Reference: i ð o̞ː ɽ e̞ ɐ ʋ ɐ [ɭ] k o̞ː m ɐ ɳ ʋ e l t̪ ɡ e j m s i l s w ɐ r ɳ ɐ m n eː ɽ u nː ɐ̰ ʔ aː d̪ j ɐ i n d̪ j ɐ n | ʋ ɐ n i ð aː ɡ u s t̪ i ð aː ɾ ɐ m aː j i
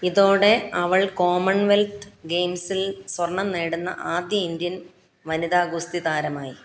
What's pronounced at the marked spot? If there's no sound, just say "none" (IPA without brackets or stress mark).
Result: ɭ